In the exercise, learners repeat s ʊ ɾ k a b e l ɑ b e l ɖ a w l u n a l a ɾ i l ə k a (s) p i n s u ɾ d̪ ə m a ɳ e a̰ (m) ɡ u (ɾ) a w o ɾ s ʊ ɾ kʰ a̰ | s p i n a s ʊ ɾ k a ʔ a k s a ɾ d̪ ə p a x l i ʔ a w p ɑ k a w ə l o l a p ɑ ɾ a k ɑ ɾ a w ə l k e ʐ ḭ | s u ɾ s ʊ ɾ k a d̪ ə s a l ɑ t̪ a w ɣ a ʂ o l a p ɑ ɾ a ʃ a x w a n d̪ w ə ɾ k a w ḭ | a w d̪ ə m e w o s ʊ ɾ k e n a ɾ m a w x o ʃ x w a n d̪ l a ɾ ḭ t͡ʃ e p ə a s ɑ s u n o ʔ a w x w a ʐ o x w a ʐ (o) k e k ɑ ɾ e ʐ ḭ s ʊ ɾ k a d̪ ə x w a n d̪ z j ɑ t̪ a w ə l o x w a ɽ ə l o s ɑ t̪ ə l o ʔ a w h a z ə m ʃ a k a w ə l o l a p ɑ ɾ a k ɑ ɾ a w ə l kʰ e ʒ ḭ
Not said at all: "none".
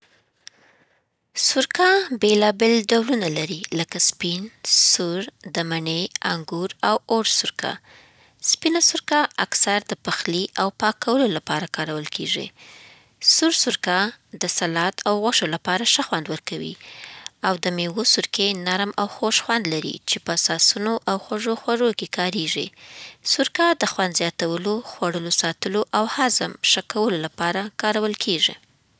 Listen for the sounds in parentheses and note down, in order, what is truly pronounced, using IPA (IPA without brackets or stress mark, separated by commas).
s, ŋ, ɾ, o